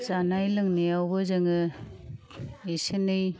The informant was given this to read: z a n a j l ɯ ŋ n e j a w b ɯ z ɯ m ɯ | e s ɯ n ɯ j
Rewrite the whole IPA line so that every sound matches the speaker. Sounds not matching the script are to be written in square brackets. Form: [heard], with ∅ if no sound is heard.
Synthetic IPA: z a n a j l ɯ ŋ n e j a w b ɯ z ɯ [ŋ] ɯ | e s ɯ n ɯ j